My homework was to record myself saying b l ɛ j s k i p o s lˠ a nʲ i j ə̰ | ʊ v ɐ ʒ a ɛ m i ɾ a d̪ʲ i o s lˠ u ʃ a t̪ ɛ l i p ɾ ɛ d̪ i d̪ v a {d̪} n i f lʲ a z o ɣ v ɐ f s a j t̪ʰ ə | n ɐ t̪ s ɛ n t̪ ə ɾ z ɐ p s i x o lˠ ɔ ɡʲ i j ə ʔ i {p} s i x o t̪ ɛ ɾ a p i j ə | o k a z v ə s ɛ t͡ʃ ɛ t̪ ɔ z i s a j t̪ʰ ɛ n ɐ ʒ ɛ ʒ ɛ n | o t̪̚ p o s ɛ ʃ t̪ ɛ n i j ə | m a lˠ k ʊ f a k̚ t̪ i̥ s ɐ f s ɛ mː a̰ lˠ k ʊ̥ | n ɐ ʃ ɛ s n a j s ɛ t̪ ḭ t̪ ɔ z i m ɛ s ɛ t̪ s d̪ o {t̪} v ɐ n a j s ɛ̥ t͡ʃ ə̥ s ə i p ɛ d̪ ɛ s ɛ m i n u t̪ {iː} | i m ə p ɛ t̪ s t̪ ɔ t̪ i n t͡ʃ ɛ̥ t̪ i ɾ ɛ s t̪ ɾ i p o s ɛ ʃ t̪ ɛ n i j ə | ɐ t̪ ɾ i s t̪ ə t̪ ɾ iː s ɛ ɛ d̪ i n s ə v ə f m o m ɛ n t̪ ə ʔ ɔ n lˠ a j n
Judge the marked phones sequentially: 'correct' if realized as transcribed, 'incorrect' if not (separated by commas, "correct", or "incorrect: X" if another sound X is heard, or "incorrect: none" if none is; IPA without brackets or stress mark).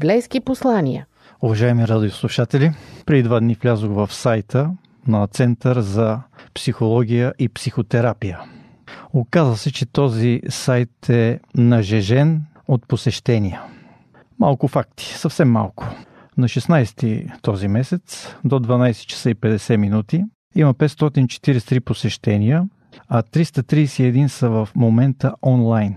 correct, correct, incorrect: d̪, incorrect: i